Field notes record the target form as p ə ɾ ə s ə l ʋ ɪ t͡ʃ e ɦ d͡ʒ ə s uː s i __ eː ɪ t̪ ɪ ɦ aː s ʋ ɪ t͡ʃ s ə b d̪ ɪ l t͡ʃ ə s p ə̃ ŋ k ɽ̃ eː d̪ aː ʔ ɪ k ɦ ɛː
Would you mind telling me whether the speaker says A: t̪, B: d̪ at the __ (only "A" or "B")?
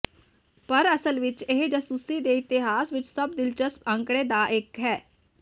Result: B